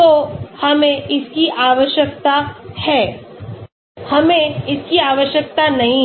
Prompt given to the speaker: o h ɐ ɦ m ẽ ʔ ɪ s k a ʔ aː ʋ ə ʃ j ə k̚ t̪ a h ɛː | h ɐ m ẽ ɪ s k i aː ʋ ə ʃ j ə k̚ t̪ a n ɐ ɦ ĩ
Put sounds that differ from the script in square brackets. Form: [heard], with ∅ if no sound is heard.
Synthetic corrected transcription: o h ɐ [∅] m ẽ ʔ ɪ s k [i] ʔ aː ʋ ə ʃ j ə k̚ t̪ a h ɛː | h ɐ m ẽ ɪ s k i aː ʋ ə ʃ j ə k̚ t̪ a n ɐ ɦ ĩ